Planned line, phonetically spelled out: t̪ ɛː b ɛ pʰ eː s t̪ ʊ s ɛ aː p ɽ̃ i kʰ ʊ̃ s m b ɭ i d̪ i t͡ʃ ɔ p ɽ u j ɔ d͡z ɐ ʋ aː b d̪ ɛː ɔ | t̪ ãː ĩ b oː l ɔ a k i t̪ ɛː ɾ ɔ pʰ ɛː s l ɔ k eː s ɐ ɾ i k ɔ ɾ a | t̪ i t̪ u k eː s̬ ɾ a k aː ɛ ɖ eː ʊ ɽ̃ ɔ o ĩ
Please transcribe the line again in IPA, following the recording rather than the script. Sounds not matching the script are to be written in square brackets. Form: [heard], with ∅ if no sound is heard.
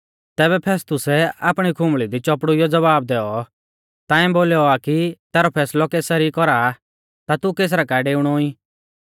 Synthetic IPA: t̪ ɛː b ɛ pʰ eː s t̪ ʊ s ɛ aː p ɽ̃ i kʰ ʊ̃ [∅] m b ɭ i d̪ i t͡ʃ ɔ p ɽ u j ɔ d͡z ɐ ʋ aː b d̪ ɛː ɔ | t̪ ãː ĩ b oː l ɔ a k i t̪ ɛː ɾ ɔ pʰ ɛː s l ɔ k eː s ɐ ɾ i k ɔ ɾ a | t̪ [a] t̪ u k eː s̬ ɾ a k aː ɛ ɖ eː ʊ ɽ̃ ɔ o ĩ

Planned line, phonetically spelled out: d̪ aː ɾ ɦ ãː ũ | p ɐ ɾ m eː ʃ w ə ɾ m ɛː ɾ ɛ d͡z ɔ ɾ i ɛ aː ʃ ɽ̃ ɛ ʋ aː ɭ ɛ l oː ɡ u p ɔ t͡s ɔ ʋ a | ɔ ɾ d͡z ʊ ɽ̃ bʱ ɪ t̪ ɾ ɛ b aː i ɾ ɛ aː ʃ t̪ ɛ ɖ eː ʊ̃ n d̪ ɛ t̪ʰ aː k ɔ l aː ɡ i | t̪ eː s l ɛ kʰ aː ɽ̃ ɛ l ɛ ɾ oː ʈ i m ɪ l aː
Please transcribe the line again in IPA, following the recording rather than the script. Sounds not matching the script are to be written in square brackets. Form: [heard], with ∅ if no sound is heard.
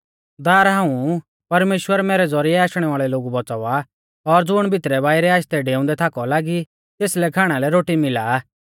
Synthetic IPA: d̪ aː ɾ ɦ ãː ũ | p ɐ ɾ m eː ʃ w ə ɾ m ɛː ɾ ɛ d͡z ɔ ɾ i ɛ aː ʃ ɽ̃ ɛ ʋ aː ɭ ɛ l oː ɡ u [b] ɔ t͡s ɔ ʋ a | ɔ ɾ d͡z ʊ ɽ̃ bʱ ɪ t̪ ɾ ɛ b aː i ɾ ɛ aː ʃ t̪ ɛ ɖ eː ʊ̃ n d̪ ɛ t̪ʰ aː k ɔ l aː ɡ i | t̪ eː s l ɛ kʰ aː ɽ̃ [a] l ɛ ɾ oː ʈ i m ɪ l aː

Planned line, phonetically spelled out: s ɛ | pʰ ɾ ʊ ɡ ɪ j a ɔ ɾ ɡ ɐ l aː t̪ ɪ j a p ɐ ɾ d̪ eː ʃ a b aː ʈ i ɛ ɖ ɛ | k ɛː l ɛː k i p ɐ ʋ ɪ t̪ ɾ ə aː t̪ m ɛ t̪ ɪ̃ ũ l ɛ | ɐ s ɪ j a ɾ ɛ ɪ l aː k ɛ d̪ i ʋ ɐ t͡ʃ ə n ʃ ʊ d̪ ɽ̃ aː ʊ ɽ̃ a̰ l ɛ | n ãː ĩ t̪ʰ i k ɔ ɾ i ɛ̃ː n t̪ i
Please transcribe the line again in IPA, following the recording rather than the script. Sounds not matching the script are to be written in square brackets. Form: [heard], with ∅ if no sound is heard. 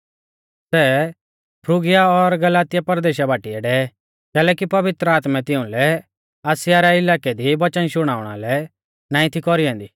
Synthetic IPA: s ɛ | pʰ ɾ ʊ ɡ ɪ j a ɔ ɾ ɡ ɐ l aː t̪ ɪ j a p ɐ ɾ d̪ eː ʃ a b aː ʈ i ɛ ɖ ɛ | k ɛː l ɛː k i p ɐ ʋ ɪ t̪ ɾ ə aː t̪ m ɛ t̪ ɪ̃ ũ l ɛ | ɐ s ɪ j a ɾ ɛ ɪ l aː k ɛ d̪ i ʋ ɐ t͡ʃ ə n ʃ ʊ [∅] ɽ̃ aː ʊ ɽ̃ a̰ l ɛ | n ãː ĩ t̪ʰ i k ɔ ɾ i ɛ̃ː n [d̪] i

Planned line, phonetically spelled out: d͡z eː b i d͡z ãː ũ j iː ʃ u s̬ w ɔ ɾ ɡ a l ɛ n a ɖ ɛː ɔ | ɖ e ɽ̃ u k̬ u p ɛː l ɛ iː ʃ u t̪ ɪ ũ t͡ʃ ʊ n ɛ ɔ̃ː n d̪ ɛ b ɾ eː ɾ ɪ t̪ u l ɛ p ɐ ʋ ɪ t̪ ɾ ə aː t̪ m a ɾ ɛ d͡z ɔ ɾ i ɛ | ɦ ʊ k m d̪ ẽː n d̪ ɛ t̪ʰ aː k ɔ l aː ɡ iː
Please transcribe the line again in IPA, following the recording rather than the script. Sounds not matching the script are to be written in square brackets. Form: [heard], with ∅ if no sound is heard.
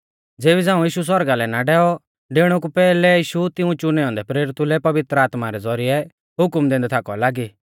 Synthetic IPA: d͡z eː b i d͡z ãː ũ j iː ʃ u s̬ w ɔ ɾ ɡ a l ɛ n a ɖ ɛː ɔ | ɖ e ɽ̃ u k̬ u p ɛː l ɛ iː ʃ u t̪ ɪ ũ t͡ʃ ʊ n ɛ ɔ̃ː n d̪ ɛ [p] ɾ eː ɾ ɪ t̪ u l ɛ p ɐ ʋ ɪ t̪ ɾ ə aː t̪ m a ɾ ɛ d͡z ɔ ɾ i ɛ | ɦ ʊ k m d̪ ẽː n d̪ ɛ t̪ʰ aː k ɔ l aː ɡ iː

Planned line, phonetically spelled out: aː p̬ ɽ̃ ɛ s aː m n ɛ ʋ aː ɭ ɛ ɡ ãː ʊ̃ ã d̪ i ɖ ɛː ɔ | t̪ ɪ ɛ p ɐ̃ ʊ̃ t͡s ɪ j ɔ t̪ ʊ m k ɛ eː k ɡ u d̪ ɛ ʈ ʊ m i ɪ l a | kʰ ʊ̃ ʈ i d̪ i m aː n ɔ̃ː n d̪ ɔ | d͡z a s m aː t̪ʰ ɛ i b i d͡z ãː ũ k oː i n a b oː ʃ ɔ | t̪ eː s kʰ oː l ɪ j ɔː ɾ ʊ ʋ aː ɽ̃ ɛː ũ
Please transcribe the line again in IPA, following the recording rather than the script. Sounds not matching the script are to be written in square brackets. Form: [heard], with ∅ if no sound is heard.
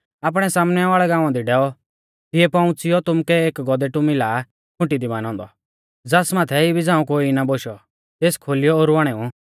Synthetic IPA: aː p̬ ɽ̃ ɛ s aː m n ɛ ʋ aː ɭ ɛ ɡ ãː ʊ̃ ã d̪ i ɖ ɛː ɔ | t̪ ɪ ɛ p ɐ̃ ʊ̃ t͡s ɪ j ɔ t̪ ʊ m k ɛ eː k ɡ [ɔ] d̪ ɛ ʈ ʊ m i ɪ l a | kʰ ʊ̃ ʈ i d̪ i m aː n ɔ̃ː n d̪ ɔ | d͡z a s m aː t̪ʰ ɛ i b i d͡z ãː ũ k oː i n a b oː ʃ ɔ | t̪ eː s kʰ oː l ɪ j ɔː ɾ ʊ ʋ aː ɽ̃ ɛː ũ

